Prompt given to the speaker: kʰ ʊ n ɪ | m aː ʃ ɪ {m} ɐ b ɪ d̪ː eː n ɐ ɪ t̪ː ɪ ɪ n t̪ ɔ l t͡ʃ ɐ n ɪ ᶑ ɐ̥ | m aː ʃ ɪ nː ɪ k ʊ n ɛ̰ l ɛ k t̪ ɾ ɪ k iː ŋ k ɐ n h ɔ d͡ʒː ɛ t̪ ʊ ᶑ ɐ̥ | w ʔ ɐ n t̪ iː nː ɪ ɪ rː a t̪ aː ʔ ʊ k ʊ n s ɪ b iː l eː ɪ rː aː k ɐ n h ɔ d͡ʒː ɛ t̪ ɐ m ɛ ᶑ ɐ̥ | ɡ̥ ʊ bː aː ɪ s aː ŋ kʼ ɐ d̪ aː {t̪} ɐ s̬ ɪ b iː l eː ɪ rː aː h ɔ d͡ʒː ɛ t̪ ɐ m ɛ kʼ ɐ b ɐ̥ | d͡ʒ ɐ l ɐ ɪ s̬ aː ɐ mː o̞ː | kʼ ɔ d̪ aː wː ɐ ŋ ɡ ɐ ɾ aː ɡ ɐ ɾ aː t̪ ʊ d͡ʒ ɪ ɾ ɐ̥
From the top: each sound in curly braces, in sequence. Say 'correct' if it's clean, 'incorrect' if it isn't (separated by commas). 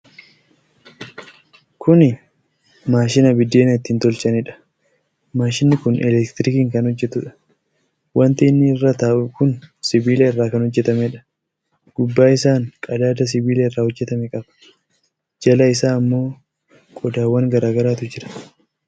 incorrect, incorrect